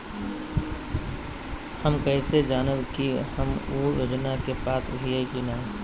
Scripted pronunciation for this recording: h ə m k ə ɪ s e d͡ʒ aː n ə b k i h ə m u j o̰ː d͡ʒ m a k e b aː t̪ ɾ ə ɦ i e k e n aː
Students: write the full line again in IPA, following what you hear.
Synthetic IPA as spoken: h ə m k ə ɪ s e d͡ʒ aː n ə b k i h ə m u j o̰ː d͡ʒ n a k e p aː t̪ ɾ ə ɦ i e k i n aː